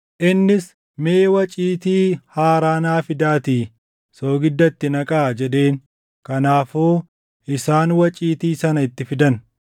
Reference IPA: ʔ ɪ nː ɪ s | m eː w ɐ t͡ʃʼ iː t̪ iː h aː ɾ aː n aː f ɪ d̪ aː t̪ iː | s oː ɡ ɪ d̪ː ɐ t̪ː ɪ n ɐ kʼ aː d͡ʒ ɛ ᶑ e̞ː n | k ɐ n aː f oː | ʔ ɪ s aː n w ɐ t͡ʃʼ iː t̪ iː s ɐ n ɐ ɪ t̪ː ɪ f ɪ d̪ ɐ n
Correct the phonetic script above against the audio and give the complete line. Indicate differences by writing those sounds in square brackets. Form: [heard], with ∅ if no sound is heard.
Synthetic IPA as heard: ʔ ɪ nː ɪ s | m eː w ɐ t͡ʃʼ iː t̪ iː h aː ɾ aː n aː f ɪ d̪ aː t̪ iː | s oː ɡ ɪ d̪ː ɐ t̪ː ɪ n ɐ kʼ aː d͡ʒ ɛ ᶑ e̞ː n | k ɐ n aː f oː | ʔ ɪ s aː n w ɐ t͡ʃʼ iː t̪ iː s ɐ n ɐ ɪ t̪ː ɪ f ɪ d̪ ɐ n